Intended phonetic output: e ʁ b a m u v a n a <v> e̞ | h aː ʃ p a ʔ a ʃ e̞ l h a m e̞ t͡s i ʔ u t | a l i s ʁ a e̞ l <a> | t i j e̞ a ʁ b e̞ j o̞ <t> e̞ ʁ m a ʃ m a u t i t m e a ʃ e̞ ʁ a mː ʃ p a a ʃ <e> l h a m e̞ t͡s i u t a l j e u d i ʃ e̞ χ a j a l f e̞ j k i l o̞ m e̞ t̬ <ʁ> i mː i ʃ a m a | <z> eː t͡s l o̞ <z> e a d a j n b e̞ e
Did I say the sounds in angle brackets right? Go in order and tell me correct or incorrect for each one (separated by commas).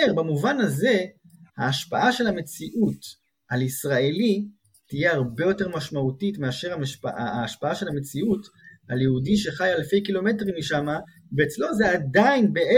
incorrect, incorrect, correct, correct, correct, incorrect, correct